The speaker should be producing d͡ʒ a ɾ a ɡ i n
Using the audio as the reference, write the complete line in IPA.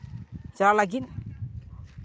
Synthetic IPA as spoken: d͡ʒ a l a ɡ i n